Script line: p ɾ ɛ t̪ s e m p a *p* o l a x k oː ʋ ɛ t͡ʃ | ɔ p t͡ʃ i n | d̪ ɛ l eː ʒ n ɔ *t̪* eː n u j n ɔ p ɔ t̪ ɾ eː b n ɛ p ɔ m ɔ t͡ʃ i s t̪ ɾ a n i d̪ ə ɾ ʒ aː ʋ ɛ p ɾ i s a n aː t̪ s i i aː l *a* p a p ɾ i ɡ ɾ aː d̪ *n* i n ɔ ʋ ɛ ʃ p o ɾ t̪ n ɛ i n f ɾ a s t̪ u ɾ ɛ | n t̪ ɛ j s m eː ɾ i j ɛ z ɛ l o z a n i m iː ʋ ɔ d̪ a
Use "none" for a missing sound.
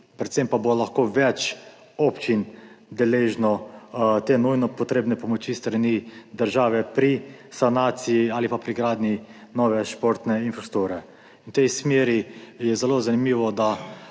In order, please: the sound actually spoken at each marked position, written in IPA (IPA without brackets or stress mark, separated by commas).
b, t̪, i, n